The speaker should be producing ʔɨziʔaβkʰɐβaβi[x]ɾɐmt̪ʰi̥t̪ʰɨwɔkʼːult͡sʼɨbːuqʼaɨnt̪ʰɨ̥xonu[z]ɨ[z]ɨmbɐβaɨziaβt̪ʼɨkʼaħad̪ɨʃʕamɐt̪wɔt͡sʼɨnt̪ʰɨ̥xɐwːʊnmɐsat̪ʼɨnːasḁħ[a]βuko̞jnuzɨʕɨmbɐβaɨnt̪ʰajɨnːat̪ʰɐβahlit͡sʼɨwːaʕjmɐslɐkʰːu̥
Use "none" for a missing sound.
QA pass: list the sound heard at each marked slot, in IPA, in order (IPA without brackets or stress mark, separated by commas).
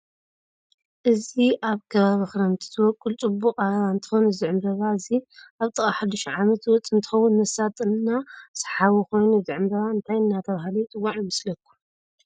x, z, ʕ, a